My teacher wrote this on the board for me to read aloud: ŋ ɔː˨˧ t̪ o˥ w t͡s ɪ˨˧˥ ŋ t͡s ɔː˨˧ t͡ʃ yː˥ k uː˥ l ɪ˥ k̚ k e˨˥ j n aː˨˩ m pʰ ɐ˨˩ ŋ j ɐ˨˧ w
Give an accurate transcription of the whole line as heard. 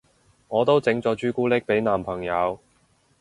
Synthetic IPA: ŋ ɔː˨˧ t̪ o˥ w t͡s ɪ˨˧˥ ŋ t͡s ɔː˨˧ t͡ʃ yː˥ k uː˥ l ɪ˥ k̚ p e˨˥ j n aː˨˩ m pʰ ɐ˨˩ ŋ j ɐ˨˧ w